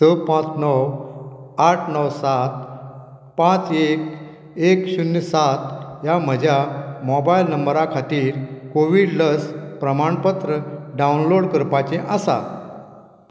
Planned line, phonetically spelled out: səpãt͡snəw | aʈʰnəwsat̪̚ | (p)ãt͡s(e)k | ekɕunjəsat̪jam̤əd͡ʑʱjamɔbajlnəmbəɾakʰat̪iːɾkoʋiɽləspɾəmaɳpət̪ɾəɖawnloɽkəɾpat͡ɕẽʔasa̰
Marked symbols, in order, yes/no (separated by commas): yes, yes